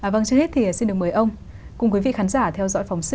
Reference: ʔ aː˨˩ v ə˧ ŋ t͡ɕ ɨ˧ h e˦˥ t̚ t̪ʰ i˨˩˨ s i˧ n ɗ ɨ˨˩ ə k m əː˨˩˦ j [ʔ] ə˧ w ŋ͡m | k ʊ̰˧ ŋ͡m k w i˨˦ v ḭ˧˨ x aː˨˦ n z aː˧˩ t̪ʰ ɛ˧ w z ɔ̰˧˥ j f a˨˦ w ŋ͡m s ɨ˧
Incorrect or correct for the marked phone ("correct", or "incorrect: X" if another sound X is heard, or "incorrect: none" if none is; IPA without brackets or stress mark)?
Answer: correct